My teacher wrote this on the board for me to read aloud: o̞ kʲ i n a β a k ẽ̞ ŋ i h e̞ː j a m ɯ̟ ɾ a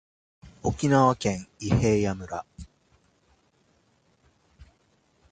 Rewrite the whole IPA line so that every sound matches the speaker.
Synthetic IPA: o̞ kʲ i n a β a k ẽ̞ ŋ i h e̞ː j a m ɯ̟ ɾ a